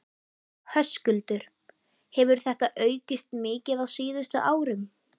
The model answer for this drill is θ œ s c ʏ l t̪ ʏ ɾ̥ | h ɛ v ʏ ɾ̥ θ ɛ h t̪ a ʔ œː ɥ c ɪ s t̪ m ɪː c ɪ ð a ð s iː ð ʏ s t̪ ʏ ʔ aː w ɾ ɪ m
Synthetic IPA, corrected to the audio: h œ s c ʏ l t̪ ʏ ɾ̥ | h ɛ v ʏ ɾ̥ θ ɛ h t̪ a ʔ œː ɥ c ɪ s t̪ m ɪː c ɪ ð a ð s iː ð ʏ s t̪ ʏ ʔ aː w ɾ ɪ m